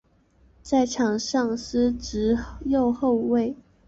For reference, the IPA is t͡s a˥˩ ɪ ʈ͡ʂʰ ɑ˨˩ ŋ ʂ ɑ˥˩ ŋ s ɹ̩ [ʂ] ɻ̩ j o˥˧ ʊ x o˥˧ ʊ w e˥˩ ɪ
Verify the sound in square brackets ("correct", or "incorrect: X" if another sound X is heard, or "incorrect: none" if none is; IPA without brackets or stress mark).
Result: incorrect: ʈ͡ʂ